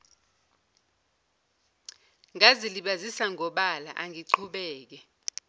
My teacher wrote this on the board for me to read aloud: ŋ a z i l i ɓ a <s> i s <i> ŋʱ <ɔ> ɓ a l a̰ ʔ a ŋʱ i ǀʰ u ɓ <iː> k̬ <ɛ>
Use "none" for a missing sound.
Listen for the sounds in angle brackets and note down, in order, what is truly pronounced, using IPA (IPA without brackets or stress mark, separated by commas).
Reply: z, a, ɔ, ɛː, ɛ